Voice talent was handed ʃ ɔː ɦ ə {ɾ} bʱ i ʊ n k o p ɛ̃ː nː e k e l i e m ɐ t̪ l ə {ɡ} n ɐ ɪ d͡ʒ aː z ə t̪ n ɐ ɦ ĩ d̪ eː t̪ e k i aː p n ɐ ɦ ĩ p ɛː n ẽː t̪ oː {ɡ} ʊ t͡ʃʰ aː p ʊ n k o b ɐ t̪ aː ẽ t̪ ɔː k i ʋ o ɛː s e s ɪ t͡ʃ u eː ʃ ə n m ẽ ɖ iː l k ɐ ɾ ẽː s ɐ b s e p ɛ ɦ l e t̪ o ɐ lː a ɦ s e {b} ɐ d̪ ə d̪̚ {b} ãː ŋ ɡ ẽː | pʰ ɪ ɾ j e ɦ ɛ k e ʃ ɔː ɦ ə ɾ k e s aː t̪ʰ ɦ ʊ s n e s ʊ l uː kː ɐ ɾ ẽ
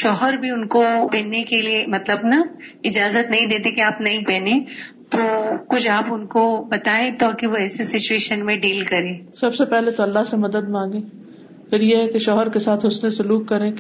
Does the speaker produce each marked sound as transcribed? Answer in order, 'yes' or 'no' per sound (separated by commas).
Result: yes, no, no, no, no